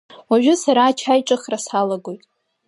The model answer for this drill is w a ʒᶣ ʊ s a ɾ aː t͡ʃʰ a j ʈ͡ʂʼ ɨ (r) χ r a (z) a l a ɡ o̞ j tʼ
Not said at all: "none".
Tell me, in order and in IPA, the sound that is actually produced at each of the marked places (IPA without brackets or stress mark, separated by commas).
none, s